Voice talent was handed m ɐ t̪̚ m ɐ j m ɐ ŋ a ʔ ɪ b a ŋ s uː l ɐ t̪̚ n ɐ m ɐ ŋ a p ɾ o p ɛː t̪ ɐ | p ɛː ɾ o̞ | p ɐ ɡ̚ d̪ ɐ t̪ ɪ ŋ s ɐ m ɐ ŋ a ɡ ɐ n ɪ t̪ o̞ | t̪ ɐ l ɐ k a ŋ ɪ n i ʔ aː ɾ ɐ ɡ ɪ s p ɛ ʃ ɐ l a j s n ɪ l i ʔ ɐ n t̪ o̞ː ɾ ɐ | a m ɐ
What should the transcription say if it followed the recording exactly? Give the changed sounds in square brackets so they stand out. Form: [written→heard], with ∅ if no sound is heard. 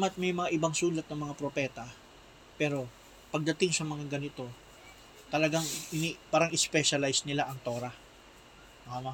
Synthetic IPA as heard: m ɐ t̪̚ m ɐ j m ɐ ŋ a ʔ ɪ b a ŋ s uː l ɐ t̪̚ n ɐ m ɐ ŋ a p ɾ o p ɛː t̪ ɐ | p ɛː ɾ o̞ | p ɐ ɡ̚ d̪ ɐ t̪ ɪ ŋ s ɐ m ɐ ŋ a ɡ ɐ n ɪ t̪ o̞ | t̪ ɐ l ɐ [k→ɡ] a ŋ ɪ n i [ʔ→p] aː ɾ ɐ [ɡ→ŋ] ɪ s p ɛ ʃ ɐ l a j s n ɪ l [i→a] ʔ ɐ [n→ŋ] t̪ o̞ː ɾ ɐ | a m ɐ